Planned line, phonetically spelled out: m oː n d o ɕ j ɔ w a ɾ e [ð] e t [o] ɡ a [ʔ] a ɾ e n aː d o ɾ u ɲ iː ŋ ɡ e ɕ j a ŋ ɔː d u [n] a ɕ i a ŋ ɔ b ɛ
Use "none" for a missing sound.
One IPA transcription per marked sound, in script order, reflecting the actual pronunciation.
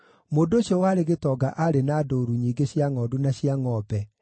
ɣ, ɔ, ʔ, n

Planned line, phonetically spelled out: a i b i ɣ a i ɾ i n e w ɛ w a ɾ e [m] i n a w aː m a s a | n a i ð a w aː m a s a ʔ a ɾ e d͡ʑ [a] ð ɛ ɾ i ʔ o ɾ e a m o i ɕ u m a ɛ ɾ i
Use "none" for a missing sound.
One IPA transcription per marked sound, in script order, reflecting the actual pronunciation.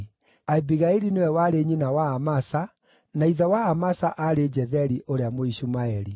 ɲ, ɛ

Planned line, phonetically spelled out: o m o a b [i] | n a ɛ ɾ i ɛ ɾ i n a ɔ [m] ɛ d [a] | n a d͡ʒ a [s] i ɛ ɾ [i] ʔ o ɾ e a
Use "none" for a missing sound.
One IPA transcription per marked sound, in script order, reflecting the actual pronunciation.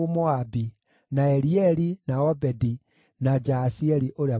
i, b, i, s, i

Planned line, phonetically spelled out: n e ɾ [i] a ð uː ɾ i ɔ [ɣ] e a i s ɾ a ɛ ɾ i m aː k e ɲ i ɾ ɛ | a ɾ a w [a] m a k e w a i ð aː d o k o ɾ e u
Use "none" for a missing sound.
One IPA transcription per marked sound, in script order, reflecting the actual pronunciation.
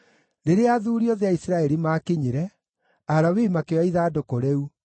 e, ð, i

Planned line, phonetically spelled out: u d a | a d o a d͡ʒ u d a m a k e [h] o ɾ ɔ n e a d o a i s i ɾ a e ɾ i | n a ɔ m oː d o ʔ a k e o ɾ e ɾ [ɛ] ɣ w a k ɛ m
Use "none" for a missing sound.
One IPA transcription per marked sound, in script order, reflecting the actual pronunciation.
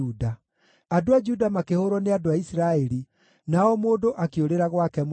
h, a

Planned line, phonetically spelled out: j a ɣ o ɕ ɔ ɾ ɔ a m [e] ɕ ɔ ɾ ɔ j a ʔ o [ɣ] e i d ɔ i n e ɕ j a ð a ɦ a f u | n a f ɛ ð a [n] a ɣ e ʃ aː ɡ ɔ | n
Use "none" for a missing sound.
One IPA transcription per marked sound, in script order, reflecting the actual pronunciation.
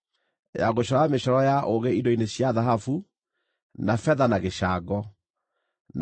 e, ɣ, n

